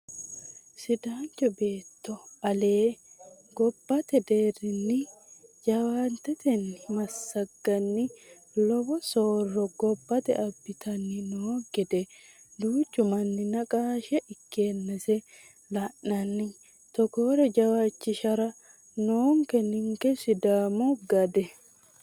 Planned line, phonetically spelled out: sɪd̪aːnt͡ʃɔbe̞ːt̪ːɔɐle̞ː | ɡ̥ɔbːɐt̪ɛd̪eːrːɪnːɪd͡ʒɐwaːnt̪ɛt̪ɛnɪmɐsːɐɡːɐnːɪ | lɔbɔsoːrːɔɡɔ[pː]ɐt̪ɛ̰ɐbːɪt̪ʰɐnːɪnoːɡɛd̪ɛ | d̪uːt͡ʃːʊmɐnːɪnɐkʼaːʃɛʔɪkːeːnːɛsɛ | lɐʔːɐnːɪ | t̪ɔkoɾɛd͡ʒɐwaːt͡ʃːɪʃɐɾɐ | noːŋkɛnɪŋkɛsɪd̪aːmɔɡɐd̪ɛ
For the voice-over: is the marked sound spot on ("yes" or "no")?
no